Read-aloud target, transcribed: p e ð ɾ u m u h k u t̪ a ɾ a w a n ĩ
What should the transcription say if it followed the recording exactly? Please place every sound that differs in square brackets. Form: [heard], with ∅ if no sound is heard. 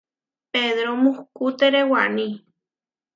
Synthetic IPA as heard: p e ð ɾ [o] m u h k u t̪ [e] ɾ [e] w a n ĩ